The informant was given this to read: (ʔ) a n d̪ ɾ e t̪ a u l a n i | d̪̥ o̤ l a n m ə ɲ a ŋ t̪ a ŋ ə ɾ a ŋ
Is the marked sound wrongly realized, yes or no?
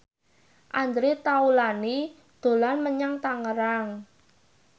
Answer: no